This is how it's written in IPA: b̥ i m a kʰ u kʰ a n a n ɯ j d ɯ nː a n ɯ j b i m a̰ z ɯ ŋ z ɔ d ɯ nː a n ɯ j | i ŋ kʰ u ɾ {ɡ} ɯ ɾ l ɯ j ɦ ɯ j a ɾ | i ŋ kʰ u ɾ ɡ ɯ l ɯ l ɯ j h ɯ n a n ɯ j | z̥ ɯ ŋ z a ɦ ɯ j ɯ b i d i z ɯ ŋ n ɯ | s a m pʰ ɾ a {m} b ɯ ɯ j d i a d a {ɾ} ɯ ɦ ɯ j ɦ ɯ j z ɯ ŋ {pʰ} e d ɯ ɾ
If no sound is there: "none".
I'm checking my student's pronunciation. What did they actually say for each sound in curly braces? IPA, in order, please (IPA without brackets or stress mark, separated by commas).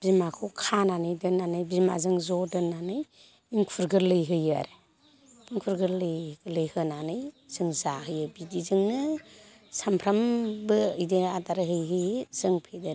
ɡ, m, ɾ, pʰ